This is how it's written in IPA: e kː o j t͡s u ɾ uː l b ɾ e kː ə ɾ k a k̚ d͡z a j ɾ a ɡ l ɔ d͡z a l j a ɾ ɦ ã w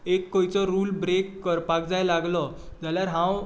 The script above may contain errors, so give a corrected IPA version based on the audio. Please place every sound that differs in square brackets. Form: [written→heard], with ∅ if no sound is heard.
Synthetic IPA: e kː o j t͡s [u→ɔ] ɾ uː l b ɾ e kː ə ɾ [k→p] a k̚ d͡z a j [ɾ→l] a ɡ l ɔ d͡z a l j a ɾ ɦ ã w

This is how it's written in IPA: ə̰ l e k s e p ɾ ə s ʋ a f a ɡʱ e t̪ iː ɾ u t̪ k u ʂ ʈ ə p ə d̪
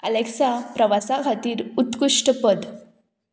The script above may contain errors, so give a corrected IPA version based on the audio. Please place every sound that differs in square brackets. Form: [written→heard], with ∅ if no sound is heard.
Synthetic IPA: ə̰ l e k s [e→a] p ɾ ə [s→∅] ʋ a [f→s] a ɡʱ [e→a] t̪ iː ɾ u t̪ k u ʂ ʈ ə p ə d̪

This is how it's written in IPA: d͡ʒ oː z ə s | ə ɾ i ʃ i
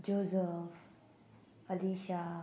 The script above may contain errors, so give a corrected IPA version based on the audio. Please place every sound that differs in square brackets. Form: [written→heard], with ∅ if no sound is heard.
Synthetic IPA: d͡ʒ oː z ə [s→f] | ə [ɾ→l] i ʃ [i→a]

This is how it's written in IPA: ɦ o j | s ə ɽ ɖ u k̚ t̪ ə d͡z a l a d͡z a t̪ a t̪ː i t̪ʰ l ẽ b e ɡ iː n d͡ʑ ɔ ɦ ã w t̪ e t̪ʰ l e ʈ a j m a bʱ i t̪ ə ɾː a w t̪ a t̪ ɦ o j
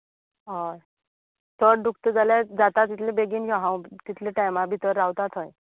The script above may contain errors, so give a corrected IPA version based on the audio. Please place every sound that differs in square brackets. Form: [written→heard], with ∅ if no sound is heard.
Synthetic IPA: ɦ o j | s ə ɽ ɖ u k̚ t̪ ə d͡z a l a d͡z a t̪ a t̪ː i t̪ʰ l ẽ b e ɡ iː n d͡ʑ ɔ ɦ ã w t̪ [e→i] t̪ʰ l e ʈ a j m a bʱ i t̪ ə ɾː a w t̪ a t̪ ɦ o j

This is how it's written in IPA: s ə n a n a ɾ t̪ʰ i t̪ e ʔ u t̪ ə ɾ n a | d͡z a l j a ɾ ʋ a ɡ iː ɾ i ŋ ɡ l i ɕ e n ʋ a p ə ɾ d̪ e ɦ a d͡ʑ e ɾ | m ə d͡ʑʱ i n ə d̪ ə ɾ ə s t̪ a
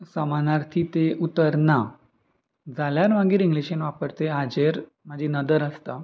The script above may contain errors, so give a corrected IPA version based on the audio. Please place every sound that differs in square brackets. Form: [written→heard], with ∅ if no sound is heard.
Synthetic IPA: s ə [n→m] a n a ɾ t̪ʰ i t̪ e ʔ u t̪ ə ɾ n a | d͡z a l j a ɾ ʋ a ɡ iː ɾ i ŋ ɡ l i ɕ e n ʋ a p ə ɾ [d̪→t̪] e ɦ a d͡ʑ e ɾ | m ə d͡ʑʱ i n ə d̪ ə ɾ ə s t̪ a

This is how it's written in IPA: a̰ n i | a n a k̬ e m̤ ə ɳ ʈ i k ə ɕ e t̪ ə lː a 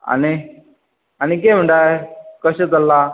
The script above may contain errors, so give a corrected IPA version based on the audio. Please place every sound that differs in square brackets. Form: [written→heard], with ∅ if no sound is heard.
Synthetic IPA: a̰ n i | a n [a→i] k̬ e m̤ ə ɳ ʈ [i→a] k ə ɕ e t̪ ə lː a

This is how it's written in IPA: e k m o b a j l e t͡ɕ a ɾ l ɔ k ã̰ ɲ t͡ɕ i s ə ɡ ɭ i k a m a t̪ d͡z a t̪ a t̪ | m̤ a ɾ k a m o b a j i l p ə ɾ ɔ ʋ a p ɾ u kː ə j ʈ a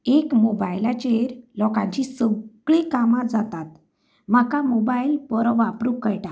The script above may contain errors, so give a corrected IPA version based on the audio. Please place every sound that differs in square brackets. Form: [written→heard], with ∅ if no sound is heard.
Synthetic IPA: e k m o b a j l [e→a] t͡ɕ [a→e] ɾ l ɔ k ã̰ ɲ t͡ɕ i s ə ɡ ɭ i k a m a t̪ d͡z a t̪ a t̪ | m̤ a [ɾ→∅] k a m o b a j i l p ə ɾ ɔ ʋ a p ɾ u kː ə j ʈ a

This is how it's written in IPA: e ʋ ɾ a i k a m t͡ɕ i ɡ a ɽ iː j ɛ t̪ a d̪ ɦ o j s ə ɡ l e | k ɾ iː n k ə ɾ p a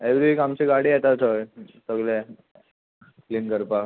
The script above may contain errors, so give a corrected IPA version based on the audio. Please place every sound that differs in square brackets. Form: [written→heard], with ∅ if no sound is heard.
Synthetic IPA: e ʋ ɾ [a→i] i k a m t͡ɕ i ɡ a ɽ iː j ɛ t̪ a [d̪→t̪] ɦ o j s ə ɡ l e | k [ɾ→l] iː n k ə ɾ p a

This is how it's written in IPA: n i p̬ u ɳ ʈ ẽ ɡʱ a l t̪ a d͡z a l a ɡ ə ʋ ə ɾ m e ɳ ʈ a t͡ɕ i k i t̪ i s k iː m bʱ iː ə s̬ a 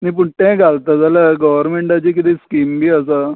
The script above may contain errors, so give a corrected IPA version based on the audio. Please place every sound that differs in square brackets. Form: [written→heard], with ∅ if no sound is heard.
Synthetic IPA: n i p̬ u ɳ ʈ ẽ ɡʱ a l t̪ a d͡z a l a ɡ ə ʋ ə ɾ m e ɳ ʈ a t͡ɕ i k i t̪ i s k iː m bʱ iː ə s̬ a

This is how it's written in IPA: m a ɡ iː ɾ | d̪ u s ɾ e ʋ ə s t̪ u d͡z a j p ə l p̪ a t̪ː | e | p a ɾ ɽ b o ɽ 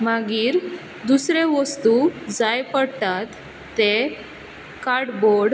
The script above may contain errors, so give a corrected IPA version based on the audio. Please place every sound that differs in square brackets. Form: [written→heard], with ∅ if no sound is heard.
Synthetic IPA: m a ɡ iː ɾ | d̪ u s ɾ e ʋ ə s t̪ u d͡z a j p ə [l→ɽ] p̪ a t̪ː | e | [p→k] a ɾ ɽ b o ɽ

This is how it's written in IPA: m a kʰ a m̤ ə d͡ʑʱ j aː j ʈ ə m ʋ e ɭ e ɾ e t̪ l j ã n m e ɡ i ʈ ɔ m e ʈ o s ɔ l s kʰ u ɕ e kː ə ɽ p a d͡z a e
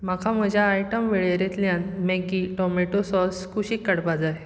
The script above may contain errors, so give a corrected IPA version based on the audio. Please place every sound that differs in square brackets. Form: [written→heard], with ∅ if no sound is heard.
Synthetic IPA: m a kʰ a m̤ ə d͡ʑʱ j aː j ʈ ə m ʋ e ɭ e ɾ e t̪ l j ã n m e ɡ i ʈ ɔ m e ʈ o s ɔ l s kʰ u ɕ [e→i] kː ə ɽ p a d͡z a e

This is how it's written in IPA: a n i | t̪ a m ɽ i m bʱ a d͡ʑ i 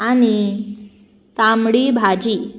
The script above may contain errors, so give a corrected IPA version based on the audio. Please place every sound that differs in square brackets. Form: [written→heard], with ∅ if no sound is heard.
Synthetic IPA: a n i | t̪ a m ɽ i [m→∅] bʱ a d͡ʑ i

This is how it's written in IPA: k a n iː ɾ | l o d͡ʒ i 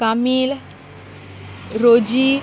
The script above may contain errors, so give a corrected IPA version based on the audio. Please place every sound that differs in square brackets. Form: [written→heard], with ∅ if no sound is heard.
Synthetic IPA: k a [n→m] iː [ɾ→l] | [l→ɾ] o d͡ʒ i

